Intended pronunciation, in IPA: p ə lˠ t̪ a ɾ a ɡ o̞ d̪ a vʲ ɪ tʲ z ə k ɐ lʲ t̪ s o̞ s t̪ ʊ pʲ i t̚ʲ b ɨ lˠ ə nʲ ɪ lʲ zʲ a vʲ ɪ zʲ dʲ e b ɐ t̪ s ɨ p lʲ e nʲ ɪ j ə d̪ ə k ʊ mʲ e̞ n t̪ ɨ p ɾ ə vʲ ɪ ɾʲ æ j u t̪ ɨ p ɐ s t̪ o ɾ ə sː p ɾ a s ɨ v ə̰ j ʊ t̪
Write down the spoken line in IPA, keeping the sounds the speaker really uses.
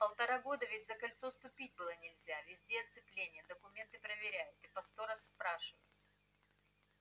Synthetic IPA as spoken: p ə lˠ t̪ ɐ ɾ a ɡ o̞ d̪ ə vʲ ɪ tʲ z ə k ɐ lʲ t̪ s o̞ s t̪ ʊ pʲ i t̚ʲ b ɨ lˠ ə nʲ ɪ lʲ zʲ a vʲ ɪ zʲ dʲ e ɐ t̪ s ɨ p lʲ e nʲ ɪ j ə d̪ ə k ʊ mʲ e̞ n t̪ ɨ p ɾ ə vʲ ɪ ɾʲ æ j ʊ t̪ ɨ p ɐ s t̪ o ɾ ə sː p ɾ a ʂ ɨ v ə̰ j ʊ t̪

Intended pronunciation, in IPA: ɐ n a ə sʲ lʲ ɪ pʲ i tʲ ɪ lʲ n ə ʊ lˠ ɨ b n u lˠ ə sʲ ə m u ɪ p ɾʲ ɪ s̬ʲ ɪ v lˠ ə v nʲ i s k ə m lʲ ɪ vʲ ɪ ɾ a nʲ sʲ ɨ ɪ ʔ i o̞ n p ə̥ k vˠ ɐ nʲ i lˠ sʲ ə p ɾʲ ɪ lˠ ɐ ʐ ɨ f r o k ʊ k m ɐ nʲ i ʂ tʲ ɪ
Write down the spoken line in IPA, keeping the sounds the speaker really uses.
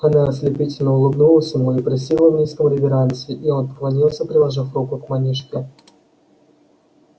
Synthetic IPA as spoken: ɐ n a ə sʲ lʲ ɪ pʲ i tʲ ɪ lʲ n ə ʊ lˠ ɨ b n u lˠ ə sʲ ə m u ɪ p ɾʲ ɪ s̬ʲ i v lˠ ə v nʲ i s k ə m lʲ ɪ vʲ ɪ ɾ a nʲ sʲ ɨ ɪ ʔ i o̞ n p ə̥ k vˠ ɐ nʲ i lˠ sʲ ə p ɾʲ ɪ lˠ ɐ ʐ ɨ f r u k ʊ k m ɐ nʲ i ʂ kʲ ɪ

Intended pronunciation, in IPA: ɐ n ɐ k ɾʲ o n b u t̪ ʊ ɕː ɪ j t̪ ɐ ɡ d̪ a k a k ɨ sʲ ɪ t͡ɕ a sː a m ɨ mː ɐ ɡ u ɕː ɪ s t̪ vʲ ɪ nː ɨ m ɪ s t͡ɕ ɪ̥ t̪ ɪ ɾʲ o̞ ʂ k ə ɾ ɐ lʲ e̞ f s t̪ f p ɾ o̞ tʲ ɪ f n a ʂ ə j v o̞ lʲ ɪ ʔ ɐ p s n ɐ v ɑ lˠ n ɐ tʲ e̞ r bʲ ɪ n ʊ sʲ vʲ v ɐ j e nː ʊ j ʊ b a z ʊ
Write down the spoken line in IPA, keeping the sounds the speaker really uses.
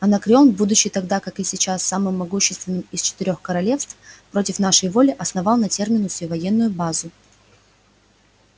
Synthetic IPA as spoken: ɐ n ɐ k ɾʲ o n b u d̪ ʊ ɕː ɪ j t̪ ɐ ɡ d̪ a k a k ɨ sʲ ɪ t͡ɕ a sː a m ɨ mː ɐ ɡ u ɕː ɪ s t̪ vʲ ɪ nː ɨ m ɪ s t͡ɕ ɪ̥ t̪ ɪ ɾʲ o̞ x k ə ɾ ɐ lʲ e̞ f s t̪ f p ɾ o̞ tʲ ɪ f n a ʂ ə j v o̞ lʲ ɪ ʔ ɐ s n ɐ v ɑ lˠ n ɐ tʲ e̞ r mʲ ɪ n ʊ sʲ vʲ v ɐ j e nː ʊ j ʊ b a z ʊ

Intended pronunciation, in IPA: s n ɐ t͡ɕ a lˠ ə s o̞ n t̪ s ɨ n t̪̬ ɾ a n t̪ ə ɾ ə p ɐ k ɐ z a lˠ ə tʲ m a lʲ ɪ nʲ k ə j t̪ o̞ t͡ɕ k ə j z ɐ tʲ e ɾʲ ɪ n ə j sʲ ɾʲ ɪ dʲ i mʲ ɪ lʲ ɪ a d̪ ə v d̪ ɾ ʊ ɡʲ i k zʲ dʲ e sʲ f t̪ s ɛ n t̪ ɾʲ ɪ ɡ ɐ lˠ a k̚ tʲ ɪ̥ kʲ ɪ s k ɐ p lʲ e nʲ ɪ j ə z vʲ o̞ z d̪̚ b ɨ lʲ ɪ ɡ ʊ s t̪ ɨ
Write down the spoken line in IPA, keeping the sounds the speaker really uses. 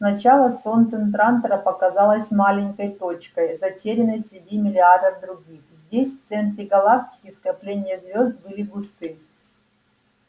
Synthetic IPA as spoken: s n ɐ t͡ɕ a lˠ ə s o̞ n t̪ s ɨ n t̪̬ ɾ a n t̪ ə ɾ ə p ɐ k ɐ z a lˠ ə sʲ m a lʲ ɪ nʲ k ə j t̪ o̞ t͡ɕ k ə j z ɐ tʲ e ɾʲ ɪ n ə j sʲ ɾʲ ɪ dʲ i mʲ ɪ lʲ ɪ a d̪ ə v d̪ ɾ ʊ ɡʲ i x zʲ dʲ e sʲ f t̪ s ɛ n t̪ ɾʲ ɪ ɡ ɐ lˠ a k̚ tʲ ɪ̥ kʲ ɪ s k ɐ p lʲ e nʲ ɪ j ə z vʲ o̞ z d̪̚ b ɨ lʲ ɪ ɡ ʊ s t̪ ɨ

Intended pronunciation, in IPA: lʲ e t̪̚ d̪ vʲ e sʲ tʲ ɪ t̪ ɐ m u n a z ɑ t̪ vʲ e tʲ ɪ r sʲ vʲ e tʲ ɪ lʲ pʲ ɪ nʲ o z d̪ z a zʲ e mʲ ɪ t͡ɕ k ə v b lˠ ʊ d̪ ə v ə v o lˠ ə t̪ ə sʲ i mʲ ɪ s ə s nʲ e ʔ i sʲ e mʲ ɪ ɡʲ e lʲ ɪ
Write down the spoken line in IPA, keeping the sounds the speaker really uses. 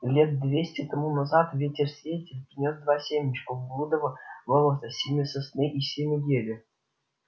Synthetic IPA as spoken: lʲ e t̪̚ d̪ vʲ e sʲ tʲ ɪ t̪ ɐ m u n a z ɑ t̪ vʲ e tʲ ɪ r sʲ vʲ e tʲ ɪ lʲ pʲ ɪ nʲ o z d̪ v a sʲ e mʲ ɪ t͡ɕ k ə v b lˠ u d̪ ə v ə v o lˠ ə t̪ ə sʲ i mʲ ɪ s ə s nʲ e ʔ i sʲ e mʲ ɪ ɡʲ e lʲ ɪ

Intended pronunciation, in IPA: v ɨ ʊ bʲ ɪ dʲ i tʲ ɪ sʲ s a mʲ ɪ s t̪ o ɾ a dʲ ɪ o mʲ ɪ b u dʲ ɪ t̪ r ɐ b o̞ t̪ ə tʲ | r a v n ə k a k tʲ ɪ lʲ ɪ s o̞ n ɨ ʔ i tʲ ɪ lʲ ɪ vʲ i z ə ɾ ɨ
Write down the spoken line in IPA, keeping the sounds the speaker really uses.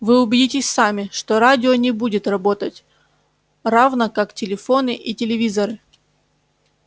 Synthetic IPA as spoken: v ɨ ʊ bʲ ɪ dʲ i tʲ ɪ sʲ s a mʲ ɪ ʂ t̪ o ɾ a dʲ ɪ o nʲ ɪ b u dʲ ɪ t̪ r ɐ b o̞ t̪ ə tʲ | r a v n ə k a k tʲ ɪ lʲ ɪ f o̞ n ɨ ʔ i tʲ ɪ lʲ ɪ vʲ i z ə ɾ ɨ

